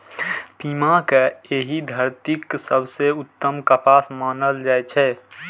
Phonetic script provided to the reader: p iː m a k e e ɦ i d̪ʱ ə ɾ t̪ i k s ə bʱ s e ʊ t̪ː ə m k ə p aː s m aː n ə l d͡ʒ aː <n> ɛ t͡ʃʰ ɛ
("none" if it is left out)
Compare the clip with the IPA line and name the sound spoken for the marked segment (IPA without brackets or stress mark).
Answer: none